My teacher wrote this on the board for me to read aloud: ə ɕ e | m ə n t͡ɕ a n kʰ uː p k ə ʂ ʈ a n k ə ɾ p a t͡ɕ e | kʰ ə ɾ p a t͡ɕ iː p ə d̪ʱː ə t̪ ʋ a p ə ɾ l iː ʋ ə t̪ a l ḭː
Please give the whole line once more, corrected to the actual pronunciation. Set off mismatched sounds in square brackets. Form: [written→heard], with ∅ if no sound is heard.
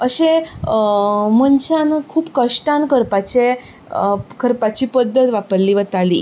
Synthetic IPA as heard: ə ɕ e | m ə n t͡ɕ a n kʰ uː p k ə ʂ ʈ a n k ə ɾ p a t͡ɕ e | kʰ ə ɾ p a t͡ɕ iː p ə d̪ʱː ə t̪ ʋ a p ə ɾ l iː ʋ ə t̪ a l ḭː